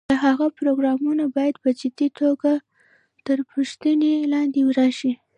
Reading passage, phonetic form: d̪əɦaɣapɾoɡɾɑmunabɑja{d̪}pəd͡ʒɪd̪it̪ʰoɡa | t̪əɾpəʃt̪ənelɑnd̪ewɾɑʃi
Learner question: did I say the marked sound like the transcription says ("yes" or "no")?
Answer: yes